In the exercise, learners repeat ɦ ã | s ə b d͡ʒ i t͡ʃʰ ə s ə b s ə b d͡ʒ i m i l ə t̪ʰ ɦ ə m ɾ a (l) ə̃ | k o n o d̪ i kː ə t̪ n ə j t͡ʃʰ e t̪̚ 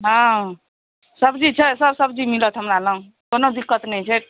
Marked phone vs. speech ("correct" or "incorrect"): correct